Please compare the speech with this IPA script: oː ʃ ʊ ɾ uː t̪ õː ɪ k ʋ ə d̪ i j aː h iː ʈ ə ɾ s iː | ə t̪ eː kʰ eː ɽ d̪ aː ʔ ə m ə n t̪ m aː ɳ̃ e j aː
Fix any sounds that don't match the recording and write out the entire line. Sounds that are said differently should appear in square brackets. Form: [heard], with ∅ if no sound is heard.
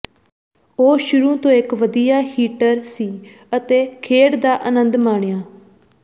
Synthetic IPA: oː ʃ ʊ ɾ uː t̪ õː ɪ k ʋ ə d̪ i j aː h iː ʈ ə ɾ s iː | ə t̪ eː kʰ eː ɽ d̪ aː ʔ ə [n] ə n [d̪] m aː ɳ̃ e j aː

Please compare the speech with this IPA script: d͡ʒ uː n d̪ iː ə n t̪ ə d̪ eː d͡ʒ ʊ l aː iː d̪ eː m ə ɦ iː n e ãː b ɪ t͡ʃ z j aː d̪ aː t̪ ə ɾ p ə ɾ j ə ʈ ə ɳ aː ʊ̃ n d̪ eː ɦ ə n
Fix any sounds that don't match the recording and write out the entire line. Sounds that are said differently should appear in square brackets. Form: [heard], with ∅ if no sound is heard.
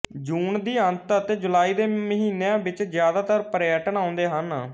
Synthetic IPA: d͡ʒ uː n d̪ iː ə n t̪ ə [t̪] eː d͡ʒ ʊ l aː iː d̪ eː m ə ɦ iː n e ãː b ɪ t͡ʃ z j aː d̪ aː t̪ ə ɾ p ə ɾ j ə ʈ ə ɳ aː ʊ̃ n d̪ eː ɦ ə n

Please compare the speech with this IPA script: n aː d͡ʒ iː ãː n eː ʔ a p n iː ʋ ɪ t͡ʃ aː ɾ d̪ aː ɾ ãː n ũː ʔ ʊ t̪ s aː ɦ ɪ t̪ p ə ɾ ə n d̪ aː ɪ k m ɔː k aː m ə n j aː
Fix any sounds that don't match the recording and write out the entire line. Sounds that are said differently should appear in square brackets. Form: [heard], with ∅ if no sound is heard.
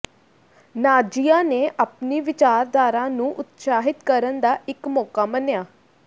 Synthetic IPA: n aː d͡ʒ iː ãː n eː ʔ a p n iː ʋ ɪ t͡ʃ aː ɾ d̪ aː ɾ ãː n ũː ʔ ʊ t̪ s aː ɦ ɪ t̪ [k] ə ɾ ə n d̪ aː ɪ k m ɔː k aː m ə n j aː

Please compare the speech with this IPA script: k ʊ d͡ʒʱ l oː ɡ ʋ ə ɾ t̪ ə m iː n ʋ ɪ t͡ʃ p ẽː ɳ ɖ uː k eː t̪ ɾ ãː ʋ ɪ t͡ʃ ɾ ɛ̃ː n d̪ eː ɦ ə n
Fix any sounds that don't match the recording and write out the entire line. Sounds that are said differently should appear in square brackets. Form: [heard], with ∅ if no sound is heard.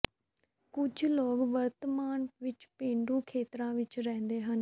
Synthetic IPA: k ʊ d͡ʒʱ l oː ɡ ʋ ə ɾ t̪ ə m [aː] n ʋ ɪ t͡ʃ p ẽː ɳ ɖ uː [kʰ] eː t̪ ɾ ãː ʋ ɪ t͡ʃ ɾ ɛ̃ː n d̪ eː ɦ ə n

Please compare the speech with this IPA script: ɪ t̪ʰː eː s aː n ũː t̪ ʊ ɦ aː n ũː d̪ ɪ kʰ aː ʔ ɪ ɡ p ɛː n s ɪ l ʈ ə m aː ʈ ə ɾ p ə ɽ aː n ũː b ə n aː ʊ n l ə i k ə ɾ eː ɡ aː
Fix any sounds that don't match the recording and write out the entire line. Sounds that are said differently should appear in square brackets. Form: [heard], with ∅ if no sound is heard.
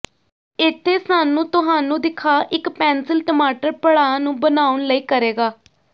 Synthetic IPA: ɪ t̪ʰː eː s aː n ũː t̪ ʊ ɦ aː n ũː d̪ ɪ kʰ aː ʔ ɪ [k] p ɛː n s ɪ l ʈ ə m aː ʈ ə ɾ p ə ɽ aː n ũː b ə n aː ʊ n l ə [iː] k ə ɾ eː ɡ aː

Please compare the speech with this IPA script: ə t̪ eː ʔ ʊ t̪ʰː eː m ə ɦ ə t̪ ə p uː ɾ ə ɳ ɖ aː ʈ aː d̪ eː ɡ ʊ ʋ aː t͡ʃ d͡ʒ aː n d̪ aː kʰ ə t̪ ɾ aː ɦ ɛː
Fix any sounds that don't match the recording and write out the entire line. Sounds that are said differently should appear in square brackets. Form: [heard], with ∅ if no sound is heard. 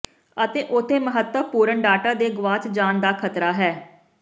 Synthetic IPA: ə t̪ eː ʔ ʊ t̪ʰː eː m ə ɦ ə t̪ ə p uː ɾ ə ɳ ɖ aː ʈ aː d̪ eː ɡ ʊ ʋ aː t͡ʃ d͡ʒ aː n d̪ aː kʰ ə t̪ ɾ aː ɦ ɛː

